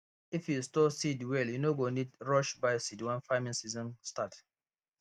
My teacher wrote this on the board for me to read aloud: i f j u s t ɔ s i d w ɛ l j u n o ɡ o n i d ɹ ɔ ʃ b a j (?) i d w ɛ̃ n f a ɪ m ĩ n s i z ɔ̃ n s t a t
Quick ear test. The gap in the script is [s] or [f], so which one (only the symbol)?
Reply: s